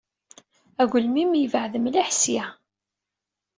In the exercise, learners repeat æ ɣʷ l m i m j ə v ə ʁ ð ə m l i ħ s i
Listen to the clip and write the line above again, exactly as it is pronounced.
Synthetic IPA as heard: æ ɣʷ l m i m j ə v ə ʕ ð ə m l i ħ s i